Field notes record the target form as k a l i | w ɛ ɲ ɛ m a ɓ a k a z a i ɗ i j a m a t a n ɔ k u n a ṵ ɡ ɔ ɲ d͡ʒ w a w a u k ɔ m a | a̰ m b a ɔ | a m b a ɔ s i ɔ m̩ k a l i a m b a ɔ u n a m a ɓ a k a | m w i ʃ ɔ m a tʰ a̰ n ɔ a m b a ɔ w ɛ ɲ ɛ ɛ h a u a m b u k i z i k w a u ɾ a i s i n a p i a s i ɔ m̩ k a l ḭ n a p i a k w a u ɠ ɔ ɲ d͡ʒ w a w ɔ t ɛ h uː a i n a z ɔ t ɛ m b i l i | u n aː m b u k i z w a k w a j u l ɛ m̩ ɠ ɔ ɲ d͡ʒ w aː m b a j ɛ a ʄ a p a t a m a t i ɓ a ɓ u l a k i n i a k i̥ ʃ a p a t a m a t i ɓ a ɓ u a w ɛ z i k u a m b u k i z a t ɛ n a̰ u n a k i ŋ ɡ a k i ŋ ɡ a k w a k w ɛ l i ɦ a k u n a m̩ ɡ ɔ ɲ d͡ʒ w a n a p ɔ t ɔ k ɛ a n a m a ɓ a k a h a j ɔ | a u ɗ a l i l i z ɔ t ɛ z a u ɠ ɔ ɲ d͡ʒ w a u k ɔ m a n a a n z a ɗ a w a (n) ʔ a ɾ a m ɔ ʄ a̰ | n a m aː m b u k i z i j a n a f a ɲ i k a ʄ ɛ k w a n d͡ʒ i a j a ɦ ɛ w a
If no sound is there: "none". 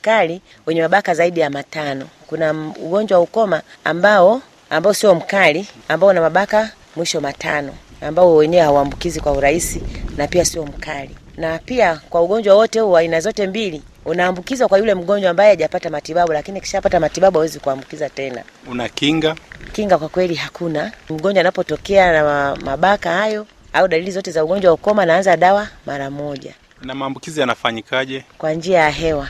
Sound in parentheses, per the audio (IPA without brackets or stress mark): m